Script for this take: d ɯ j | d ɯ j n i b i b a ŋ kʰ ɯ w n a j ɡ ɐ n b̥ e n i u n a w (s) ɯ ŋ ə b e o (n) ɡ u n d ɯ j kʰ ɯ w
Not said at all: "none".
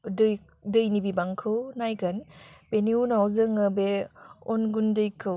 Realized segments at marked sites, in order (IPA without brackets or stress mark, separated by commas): z, n